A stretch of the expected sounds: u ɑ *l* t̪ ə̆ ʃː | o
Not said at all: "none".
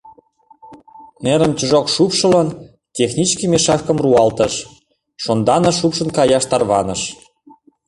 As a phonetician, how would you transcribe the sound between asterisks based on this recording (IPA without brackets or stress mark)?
l